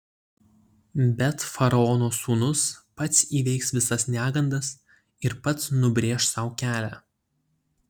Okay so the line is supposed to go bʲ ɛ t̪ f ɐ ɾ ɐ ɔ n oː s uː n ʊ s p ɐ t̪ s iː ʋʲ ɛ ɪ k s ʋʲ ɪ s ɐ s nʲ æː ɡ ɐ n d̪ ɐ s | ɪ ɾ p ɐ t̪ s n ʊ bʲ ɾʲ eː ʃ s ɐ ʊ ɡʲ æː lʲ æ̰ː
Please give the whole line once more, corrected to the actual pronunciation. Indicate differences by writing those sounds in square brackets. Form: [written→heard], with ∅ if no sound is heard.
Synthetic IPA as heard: bʲ ɛ t̪ f ɐ ɾ ɐ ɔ n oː s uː n ʊ s p ɐ t̪ s iː ʋʲ ɛ ɪ k s ʋʲ ɪ s ɐ s nʲ æː ɡ ɐ n d̪ ɐ s | ɪ ɾ p ɐ t̪ s n ʊ bʲ ɾʲ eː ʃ s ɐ ʊ [ɡʲ→kʲ] æː lʲ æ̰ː